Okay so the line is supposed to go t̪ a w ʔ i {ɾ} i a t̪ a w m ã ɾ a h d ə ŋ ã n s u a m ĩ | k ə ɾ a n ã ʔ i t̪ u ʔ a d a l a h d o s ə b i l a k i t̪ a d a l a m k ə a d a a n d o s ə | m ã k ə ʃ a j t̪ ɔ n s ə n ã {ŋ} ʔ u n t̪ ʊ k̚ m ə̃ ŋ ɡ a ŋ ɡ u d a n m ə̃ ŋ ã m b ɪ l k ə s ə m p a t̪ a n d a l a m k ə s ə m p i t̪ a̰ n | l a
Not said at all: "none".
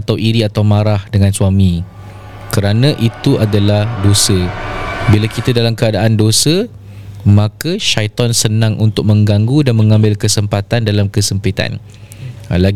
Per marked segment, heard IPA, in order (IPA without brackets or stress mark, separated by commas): ɾ, ŋ